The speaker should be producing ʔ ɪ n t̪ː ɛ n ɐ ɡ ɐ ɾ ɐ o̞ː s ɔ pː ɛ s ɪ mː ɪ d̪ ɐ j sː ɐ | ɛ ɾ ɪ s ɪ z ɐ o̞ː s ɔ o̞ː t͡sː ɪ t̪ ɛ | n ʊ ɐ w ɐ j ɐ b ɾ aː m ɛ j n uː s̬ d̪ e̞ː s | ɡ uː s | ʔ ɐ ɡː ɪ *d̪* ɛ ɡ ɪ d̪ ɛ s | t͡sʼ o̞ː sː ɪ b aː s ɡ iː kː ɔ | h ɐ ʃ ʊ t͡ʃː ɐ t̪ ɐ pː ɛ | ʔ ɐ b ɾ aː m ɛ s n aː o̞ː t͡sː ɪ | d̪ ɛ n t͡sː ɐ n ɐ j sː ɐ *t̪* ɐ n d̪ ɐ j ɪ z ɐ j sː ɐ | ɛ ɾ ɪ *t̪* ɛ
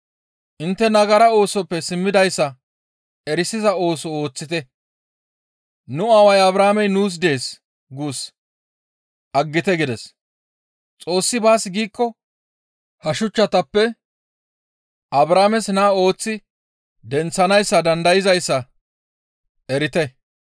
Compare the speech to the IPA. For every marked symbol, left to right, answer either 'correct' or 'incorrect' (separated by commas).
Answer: incorrect, incorrect, correct